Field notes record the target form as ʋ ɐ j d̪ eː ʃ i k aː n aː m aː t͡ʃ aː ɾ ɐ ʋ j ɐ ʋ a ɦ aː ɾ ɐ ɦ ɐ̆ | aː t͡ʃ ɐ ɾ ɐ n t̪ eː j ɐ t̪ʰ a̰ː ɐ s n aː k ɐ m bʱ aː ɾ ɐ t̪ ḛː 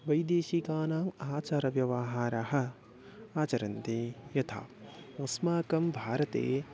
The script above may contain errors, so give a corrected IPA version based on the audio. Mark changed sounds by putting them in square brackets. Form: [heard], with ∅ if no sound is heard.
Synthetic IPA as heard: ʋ ɐ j d̪ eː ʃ i k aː n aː m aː t͡ʃ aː ɾ ɐ ʋ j ɐ ʋ a ɦ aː ɾ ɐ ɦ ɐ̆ | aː t͡ʃ ɐ ɾ ɐ n t̪ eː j ɐ t̪ʰ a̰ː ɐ s [m] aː k ɐ m bʱ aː ɾ ɐ t̪ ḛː